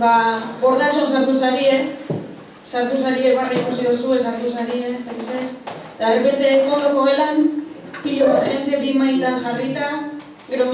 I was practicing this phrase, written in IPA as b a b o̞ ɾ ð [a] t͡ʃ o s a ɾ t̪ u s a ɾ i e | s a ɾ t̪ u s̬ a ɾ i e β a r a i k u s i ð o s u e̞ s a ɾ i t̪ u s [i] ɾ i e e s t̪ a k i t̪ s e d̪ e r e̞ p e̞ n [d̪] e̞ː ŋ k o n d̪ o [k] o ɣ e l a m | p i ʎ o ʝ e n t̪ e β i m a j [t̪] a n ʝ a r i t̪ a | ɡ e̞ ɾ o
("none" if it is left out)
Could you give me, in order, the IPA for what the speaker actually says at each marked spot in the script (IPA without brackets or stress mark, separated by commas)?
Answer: a, a, t̪, k, t̪